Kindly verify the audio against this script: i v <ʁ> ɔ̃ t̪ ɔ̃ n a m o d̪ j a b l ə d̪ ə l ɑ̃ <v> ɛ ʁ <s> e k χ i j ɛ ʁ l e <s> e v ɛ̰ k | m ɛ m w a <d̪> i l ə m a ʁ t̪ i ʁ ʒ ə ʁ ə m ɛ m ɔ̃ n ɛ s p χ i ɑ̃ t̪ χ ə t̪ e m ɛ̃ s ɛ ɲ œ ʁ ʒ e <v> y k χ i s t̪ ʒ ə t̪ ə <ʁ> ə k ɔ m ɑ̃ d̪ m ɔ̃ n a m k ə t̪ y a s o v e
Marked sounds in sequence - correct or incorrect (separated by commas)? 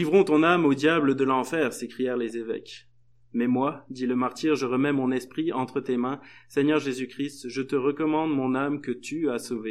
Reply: correct, incorrect, correct, incorrect, correct, incorrect, correct